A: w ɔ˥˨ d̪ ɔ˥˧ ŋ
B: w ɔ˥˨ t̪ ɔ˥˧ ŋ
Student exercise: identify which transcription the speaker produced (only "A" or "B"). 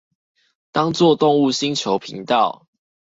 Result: B